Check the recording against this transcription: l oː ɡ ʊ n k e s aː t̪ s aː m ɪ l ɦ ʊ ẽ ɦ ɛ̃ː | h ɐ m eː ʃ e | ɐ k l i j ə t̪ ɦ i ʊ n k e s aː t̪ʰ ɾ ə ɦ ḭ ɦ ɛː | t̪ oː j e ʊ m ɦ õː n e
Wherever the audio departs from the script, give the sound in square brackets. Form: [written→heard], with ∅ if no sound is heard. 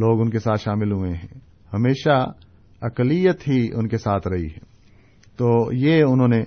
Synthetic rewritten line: l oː ɡ ʊ n k e s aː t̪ [s→ʃ] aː m ɪ l ɦ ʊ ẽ ɦ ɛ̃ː | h ɐ m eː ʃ [e→a] | ɐ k l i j ə t̪ ɦ i ʊ n k e s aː t̪ʰ ɾ [ə→ɐ] ɦ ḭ ɦ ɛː | t̪ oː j e ʊ [m→n] ɦ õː n e